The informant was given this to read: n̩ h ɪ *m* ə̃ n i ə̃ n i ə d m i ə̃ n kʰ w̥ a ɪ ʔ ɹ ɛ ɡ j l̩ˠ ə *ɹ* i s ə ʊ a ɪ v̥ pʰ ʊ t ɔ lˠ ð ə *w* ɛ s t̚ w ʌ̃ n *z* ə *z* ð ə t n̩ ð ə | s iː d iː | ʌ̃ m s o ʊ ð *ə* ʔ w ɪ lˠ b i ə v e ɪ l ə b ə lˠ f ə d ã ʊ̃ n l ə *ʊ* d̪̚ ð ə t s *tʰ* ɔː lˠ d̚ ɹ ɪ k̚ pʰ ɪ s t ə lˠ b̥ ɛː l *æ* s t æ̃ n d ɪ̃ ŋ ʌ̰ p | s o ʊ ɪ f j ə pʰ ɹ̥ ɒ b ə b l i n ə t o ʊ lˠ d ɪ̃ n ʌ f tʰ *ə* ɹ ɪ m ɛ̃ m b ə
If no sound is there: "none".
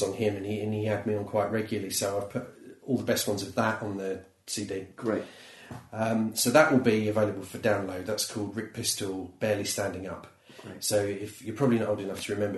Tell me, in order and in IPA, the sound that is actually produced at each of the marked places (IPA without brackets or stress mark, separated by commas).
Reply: m, l, b, z, v, ə, ʊ, kʰ, i, ə